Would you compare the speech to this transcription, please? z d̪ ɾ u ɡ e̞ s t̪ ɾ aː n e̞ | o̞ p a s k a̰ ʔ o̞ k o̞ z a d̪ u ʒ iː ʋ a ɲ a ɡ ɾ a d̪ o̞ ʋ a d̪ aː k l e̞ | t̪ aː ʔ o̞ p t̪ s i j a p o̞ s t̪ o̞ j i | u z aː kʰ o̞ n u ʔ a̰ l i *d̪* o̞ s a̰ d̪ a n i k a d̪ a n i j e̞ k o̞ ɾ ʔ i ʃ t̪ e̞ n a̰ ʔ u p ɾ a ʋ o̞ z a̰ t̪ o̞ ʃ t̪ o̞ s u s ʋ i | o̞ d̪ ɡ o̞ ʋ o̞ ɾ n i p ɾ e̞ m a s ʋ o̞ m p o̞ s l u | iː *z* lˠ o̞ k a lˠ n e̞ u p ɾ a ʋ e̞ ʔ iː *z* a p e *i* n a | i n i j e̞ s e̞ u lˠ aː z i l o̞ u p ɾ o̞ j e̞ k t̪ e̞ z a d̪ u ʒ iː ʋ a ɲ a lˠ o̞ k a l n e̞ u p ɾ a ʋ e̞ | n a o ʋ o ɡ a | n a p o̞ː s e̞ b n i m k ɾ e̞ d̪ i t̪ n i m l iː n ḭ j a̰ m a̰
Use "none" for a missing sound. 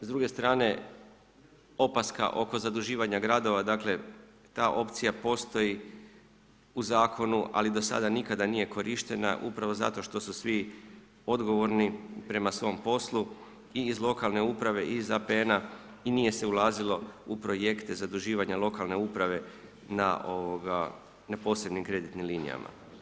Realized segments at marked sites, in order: d̪, z, z, e

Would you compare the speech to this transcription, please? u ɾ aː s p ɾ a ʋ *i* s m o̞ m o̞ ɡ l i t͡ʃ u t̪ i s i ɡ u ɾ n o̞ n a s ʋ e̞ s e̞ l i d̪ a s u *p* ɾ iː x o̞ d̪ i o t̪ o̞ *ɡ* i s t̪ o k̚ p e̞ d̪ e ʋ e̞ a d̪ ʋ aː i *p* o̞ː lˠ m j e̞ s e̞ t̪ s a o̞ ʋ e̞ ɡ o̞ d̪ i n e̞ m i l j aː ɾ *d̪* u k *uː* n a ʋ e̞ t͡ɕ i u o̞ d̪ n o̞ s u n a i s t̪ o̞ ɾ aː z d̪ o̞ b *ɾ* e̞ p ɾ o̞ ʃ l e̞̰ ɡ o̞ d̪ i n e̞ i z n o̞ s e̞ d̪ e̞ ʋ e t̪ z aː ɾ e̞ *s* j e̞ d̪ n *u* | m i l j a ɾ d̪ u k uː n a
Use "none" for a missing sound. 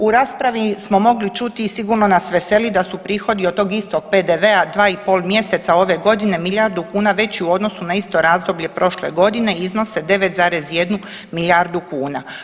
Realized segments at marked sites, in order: i, p, ɡ, p, d̪, uː, ʎ, z, u

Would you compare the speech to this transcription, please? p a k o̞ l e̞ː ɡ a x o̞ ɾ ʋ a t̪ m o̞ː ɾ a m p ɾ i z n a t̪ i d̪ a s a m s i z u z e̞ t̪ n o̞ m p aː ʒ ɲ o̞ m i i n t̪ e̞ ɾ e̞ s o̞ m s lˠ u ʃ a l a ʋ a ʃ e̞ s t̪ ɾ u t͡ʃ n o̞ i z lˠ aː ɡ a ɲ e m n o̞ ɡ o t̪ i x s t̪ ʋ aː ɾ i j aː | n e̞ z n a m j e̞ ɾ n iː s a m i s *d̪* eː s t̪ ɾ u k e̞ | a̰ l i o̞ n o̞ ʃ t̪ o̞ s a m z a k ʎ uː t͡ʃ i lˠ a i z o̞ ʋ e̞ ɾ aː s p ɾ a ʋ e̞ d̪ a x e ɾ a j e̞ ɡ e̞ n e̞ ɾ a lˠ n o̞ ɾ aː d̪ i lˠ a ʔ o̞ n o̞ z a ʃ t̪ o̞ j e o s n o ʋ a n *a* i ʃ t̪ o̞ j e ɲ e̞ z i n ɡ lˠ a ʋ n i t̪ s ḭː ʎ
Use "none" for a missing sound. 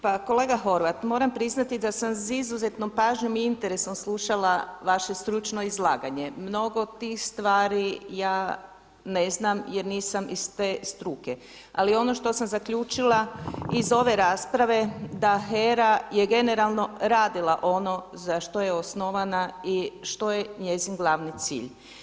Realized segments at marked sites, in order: t̪, a

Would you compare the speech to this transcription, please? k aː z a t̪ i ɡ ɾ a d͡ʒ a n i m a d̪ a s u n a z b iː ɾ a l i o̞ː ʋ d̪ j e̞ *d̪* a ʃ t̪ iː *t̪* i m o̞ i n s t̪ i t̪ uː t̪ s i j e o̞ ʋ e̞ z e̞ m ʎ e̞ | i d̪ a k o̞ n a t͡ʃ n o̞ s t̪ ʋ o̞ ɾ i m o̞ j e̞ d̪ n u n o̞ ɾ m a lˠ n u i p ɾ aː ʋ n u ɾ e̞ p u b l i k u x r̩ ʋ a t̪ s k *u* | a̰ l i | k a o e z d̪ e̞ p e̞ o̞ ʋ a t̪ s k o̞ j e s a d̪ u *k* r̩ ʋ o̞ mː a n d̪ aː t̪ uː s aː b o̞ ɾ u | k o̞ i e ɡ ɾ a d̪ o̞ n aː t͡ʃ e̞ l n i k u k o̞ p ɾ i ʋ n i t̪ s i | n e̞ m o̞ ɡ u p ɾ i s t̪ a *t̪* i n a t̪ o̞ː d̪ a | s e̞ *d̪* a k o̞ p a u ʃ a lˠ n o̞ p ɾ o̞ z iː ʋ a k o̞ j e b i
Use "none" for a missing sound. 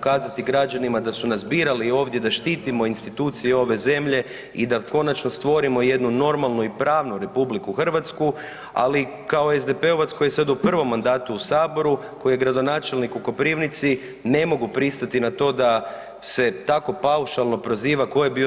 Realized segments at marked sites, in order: d̪, t̪, u, p, t̪, t̪

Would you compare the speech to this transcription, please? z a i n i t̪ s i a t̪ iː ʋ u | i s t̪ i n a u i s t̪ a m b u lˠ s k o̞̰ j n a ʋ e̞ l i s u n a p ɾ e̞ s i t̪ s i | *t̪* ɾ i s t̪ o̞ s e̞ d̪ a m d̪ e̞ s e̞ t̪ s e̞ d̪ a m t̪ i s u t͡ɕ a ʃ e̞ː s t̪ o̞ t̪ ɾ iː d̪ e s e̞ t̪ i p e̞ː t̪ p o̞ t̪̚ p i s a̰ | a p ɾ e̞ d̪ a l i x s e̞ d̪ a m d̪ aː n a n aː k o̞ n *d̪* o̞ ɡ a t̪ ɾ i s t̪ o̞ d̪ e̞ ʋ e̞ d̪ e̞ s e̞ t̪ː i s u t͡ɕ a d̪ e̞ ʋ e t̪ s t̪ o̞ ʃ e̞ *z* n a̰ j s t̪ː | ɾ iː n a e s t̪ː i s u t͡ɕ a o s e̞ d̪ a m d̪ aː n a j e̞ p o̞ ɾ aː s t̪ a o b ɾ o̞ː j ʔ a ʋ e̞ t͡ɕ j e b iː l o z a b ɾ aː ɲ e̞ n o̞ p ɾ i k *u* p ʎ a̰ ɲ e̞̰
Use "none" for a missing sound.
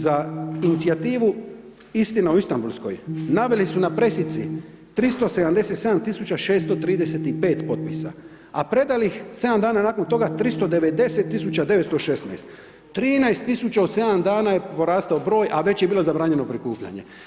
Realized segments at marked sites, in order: t̪, t̪, s, uː

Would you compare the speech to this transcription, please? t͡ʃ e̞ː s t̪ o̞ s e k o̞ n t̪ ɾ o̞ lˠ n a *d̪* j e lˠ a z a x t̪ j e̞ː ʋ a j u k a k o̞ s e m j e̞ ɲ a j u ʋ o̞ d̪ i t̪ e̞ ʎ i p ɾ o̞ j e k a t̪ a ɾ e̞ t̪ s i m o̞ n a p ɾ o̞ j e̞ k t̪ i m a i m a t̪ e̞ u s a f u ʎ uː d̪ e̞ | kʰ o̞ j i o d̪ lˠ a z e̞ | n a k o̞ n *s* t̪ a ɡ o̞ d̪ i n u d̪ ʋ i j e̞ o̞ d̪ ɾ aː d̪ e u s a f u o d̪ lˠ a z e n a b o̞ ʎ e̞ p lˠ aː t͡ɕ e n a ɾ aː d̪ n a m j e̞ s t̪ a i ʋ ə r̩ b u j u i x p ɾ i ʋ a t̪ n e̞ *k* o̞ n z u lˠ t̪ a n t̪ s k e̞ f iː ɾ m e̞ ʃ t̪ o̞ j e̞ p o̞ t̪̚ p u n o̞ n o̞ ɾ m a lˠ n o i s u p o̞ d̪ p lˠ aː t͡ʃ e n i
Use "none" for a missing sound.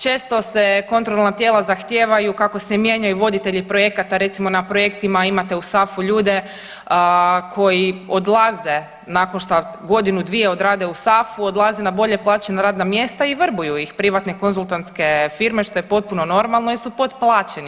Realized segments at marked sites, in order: t̪, ʃ, k

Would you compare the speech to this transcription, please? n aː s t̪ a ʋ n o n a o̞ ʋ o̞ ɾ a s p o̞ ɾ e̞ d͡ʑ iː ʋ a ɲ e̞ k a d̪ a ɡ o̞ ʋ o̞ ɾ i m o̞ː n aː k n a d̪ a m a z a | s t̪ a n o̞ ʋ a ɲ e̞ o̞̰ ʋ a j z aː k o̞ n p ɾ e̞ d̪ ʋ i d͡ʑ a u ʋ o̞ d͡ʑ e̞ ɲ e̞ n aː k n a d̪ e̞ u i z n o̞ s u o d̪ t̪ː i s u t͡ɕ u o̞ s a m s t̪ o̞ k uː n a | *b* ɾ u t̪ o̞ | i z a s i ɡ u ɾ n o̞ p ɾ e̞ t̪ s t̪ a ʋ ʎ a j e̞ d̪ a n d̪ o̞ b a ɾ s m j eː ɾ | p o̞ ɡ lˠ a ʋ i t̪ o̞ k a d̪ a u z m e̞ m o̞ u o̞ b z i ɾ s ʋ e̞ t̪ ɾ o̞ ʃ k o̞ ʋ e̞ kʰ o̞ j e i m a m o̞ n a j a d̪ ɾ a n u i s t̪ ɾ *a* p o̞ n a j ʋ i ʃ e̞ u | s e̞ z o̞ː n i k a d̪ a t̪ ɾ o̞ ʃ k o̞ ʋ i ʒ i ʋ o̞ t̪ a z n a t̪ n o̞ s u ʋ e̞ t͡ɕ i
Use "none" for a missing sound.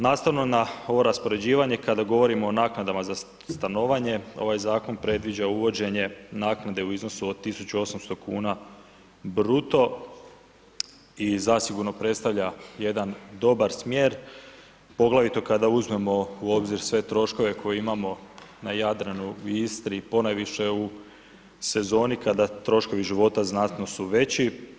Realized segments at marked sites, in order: b, i

